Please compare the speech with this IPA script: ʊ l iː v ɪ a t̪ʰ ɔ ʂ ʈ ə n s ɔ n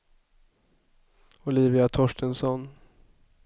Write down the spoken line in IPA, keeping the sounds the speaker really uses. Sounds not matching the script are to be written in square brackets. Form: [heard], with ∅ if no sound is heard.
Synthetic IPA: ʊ l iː v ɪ a t̪ʰ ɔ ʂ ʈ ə n s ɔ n